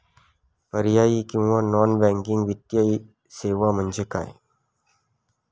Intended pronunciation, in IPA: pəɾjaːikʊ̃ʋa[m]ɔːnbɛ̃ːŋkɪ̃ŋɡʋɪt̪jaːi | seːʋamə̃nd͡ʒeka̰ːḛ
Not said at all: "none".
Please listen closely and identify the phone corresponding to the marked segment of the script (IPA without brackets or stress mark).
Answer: n